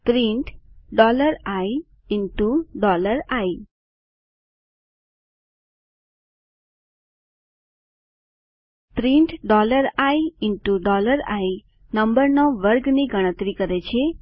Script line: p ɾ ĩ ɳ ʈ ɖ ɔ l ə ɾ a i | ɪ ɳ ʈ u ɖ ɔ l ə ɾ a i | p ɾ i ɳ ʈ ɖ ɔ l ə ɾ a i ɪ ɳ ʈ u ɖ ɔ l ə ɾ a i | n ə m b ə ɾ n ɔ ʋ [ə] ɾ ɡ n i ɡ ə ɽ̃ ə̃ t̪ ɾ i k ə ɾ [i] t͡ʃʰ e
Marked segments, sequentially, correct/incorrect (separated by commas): correct, incorrect